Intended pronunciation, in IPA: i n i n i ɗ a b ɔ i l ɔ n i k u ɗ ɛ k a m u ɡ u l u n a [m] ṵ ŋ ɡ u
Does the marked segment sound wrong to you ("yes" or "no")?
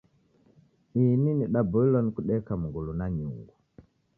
yes